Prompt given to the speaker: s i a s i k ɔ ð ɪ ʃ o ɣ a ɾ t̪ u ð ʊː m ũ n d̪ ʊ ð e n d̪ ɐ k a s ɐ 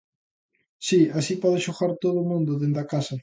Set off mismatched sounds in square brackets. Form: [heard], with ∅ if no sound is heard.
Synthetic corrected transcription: s i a s i [p] ɔ ð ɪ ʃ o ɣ a ɾ t̪ [o] ð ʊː m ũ n d̪ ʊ ð e n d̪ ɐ k a s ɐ